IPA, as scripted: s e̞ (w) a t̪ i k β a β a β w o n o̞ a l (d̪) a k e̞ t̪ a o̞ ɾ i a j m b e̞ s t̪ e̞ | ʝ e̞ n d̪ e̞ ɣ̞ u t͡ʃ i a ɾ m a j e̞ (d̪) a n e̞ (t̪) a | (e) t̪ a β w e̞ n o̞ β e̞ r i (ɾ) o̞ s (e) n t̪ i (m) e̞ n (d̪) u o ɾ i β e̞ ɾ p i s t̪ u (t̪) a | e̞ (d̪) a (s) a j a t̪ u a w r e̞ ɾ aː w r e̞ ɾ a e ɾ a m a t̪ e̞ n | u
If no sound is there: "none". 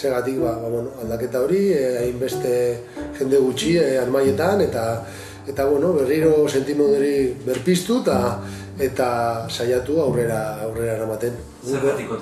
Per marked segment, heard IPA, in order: ɣ, d̪, t̪, t̪, e, ɾ, e, m, d̪, t̪, t̪, s

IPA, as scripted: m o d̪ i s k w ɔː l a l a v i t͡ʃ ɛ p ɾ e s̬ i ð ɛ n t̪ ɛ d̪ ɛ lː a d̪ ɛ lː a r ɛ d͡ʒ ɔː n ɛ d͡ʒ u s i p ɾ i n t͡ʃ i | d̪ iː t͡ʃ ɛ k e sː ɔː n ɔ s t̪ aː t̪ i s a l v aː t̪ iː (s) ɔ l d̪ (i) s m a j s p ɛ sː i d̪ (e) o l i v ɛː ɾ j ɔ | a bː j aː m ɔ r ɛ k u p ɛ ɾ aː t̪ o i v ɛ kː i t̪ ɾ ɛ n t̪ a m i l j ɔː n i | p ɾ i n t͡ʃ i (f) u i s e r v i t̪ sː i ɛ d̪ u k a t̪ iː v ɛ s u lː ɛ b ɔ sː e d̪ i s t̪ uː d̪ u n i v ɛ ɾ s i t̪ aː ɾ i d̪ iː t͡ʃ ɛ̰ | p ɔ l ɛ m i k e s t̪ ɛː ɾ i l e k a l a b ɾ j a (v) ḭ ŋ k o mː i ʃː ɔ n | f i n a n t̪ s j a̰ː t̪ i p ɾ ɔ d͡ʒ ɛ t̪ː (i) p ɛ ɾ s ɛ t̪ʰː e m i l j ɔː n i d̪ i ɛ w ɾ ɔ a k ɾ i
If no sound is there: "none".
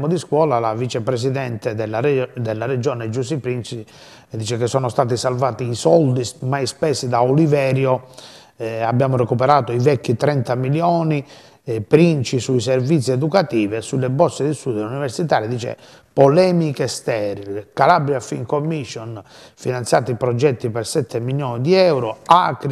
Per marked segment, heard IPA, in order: s, i, a, s, f, i

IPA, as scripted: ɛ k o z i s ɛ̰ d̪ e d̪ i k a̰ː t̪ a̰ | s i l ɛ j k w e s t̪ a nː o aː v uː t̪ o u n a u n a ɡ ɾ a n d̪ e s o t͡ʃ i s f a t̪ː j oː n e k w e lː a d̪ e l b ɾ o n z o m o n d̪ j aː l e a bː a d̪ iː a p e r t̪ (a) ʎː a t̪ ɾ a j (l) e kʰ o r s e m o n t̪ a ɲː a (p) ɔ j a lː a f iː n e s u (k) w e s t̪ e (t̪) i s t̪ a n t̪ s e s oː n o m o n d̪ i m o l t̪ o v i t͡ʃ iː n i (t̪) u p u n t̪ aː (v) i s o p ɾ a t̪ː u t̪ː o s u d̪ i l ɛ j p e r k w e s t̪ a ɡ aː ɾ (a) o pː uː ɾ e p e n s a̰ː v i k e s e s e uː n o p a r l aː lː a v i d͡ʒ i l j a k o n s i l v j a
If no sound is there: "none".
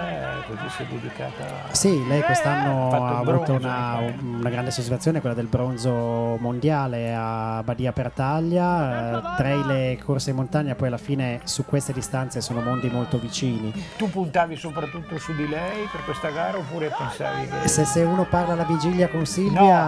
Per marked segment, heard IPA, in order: a, l, p, k, d̪, t̪, v, a

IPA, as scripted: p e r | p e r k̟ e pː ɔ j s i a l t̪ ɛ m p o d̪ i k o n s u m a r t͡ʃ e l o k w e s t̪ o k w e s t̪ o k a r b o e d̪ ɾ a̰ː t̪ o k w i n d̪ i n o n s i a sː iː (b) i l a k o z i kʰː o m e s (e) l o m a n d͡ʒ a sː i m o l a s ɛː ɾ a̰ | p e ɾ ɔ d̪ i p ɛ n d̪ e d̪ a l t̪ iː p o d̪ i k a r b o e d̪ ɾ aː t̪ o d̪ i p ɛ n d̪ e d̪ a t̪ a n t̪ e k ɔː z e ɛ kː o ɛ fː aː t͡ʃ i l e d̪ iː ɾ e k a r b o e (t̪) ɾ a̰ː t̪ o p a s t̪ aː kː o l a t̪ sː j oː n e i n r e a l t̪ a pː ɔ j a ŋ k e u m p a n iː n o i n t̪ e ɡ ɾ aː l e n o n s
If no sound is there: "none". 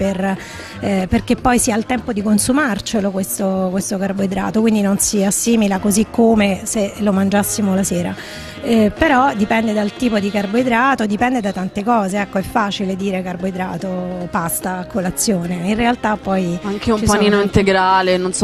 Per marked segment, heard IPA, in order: m, e, d̪

